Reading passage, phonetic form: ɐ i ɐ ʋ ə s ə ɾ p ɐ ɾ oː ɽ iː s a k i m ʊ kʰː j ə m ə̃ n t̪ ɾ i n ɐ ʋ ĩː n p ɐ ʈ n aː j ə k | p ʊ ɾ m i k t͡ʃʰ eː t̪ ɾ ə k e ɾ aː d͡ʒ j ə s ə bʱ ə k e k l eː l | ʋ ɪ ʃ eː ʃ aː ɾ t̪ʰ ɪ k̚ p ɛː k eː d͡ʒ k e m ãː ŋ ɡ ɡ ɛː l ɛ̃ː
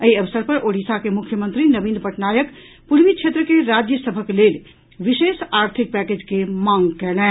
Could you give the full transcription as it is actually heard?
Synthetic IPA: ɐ i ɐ ʋ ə s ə ɾ p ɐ ɾ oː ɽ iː s a k e m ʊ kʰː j ə m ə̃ n t̪ ɾ i n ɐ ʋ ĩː n p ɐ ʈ n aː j ə k | p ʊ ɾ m i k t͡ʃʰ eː t̪ ɾ ə k e ɾ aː d͡ʒ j ə s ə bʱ ə k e l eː l | ʋ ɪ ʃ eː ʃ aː ɾ t̪ʰ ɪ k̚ p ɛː k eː d͡ʒ k e m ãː ŋ ɡ k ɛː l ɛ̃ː